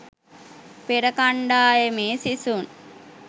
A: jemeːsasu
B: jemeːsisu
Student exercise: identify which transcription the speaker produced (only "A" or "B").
B